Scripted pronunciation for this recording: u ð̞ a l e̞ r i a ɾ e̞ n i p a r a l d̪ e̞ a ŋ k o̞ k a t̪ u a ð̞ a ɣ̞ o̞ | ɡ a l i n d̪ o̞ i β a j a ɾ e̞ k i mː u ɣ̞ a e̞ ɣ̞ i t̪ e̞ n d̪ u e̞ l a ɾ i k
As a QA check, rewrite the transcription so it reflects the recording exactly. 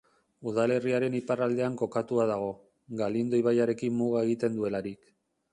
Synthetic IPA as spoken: u ð̞ a l e̞ r i a ɾ e̞ n i p a r a l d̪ e̞ a ŋ k o̞ k a t̪ u a ð̞ a ɣ̞ o̞ | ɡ a l i n d̪ o̞ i β a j a ɾ e̞ k i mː u ɣ̞ a e̞ ɣ̞ i t̪ e̞ n d̪ u e̞ l a ɾ i k